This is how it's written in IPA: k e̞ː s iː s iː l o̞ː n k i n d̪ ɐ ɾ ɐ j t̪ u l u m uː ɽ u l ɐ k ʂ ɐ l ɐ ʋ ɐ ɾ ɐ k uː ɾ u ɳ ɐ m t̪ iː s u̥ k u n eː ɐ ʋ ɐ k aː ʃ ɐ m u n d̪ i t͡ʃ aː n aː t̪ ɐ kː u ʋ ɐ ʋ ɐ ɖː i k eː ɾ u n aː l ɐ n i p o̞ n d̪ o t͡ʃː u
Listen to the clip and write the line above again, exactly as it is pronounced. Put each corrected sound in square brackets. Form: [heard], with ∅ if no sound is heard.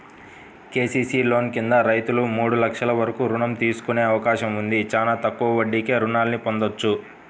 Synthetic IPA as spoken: k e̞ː s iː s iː l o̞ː n k i n d̪ ɐ ɾ ɐ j t̪ u l u m uː ɽ u l ɐ k ʂ ɐ l ɐ ʋ ɐ ɾ ɐ k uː ɾ u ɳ ɐ m t̪ iː s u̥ k u n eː ɐ ʋ ɐ k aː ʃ ɐ m u n d̪ i t͡ʃ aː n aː t̪ ɐ kː u ʋ ɐ ʋ ɐ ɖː i k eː ɾ u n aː l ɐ n i p o̞ n d̪ o t͡ʃː u